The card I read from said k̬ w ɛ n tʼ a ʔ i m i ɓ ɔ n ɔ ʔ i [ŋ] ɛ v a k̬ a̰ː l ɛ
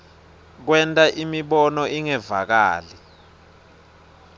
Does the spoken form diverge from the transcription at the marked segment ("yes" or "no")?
no